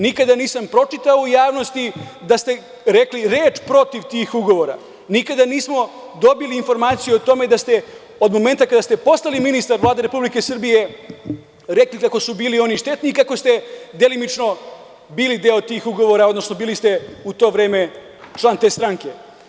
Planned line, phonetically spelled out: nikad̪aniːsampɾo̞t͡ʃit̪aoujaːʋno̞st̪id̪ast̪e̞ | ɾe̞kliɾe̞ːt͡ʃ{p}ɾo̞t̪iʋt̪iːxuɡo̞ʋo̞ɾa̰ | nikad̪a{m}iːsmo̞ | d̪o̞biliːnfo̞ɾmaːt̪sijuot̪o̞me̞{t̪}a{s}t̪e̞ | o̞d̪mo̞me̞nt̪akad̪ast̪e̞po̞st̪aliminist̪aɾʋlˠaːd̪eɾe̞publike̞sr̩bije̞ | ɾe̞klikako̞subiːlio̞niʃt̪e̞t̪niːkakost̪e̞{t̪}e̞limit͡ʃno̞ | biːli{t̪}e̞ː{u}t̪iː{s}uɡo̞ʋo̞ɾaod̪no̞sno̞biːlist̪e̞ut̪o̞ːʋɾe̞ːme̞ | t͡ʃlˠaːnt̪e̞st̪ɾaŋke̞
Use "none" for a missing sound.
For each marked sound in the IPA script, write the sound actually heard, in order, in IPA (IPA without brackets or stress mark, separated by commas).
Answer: p, n, d̪, s, d̪, d̪, o, x